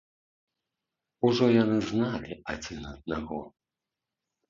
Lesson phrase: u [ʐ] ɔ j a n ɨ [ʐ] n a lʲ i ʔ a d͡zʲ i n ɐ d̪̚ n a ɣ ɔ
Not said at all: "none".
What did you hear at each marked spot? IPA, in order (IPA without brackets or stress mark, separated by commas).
ʐ, z